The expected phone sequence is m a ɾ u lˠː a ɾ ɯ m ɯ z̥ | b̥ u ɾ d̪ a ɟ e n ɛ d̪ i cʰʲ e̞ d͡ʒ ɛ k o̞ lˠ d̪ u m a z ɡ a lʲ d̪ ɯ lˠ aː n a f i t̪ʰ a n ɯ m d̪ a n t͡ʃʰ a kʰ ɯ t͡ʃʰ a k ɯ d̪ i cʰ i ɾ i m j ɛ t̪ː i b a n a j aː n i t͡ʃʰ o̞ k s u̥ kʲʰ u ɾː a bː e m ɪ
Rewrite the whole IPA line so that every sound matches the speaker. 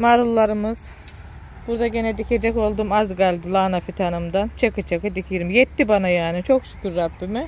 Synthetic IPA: m a ɾ u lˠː a ɾ ɯ m ɯ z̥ | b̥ u ɾ d̪ a ɟ e n ɛ d̪ i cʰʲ e̞ d͡ʒ ɛ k o̞ lˠ d̪ u m a z ɡ a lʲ d̪ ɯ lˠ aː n a f i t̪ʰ a n ɯ m d̪ a n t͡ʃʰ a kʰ ɯ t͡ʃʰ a k ɯ d̪ i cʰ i ɾ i m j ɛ t̪ː i b a n a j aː n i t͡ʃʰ o̞ k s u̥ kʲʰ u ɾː a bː i m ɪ